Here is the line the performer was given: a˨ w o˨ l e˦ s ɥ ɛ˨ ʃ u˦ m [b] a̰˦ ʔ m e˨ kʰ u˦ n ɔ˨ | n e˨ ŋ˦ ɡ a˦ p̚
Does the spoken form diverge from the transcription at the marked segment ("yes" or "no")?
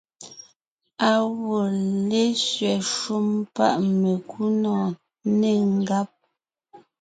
yes